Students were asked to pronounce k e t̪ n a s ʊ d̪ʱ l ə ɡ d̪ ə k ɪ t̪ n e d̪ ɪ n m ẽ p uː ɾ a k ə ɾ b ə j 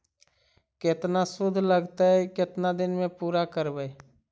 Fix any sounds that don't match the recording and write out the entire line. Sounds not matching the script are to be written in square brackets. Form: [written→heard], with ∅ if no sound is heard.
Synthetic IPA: k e t̪ n a s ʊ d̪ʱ l ə ɡ [d̪→t̪] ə k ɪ t̪ n [e→a] d̪ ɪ n m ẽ p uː ɾ a k ə ɾ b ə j